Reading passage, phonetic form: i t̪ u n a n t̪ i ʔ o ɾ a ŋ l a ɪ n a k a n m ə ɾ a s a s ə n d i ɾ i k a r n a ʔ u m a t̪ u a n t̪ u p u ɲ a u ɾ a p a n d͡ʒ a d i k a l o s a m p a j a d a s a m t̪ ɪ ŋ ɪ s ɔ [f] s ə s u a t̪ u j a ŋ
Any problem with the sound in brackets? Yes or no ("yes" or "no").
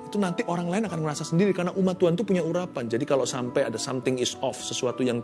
no